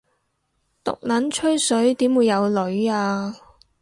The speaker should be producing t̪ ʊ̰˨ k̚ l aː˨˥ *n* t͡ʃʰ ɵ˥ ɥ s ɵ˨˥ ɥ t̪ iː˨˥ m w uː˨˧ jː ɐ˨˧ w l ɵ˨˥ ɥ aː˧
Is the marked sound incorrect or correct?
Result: correct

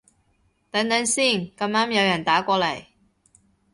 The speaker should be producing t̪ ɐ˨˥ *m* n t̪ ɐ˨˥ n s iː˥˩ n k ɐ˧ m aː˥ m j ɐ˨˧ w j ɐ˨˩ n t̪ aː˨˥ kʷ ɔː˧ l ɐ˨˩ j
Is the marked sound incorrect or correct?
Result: incorrect: none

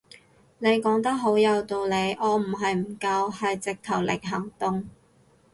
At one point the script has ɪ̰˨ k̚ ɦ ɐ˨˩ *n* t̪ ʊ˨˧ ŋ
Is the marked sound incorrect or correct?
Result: incorrect: ŋ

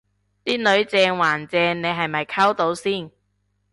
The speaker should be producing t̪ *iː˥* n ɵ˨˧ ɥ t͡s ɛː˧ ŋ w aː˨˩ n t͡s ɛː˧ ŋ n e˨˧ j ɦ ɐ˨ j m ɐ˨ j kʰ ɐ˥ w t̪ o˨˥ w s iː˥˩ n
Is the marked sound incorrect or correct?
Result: correct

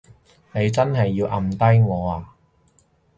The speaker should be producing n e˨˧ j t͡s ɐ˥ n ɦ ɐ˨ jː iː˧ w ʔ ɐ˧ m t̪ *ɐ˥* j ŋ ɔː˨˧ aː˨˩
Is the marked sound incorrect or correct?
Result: correct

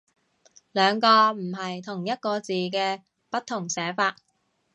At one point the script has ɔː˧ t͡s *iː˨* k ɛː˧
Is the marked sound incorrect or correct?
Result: correct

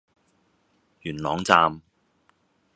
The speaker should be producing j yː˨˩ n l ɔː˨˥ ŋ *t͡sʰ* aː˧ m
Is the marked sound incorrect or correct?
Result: incorrect: t͡s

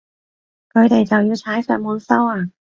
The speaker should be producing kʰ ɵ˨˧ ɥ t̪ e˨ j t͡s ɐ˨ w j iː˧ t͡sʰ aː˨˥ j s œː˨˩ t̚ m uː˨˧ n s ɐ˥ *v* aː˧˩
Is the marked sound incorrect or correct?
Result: incorrect: w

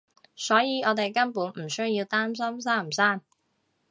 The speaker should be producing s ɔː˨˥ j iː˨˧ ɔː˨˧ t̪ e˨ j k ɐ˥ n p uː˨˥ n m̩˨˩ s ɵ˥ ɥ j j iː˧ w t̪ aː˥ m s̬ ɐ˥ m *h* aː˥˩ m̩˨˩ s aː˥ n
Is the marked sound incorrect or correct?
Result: incorrect: s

